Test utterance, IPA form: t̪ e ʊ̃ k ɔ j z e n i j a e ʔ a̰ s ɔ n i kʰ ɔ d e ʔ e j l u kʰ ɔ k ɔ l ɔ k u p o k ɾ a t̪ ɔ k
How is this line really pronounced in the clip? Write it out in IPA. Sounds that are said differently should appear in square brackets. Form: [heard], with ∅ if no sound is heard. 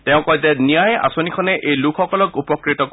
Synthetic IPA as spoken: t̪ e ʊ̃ k ɔ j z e n i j a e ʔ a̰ s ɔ n i kʰ ɔ [n] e ʔ e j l u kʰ ɔ k ɔ l ɔ k u p [ɔ] k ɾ [i] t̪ ɔ k